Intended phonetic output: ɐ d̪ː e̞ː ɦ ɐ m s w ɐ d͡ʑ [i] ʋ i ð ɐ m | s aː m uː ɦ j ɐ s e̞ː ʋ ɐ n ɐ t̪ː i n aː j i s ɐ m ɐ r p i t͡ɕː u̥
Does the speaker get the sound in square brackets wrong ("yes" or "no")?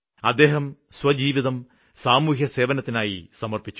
yes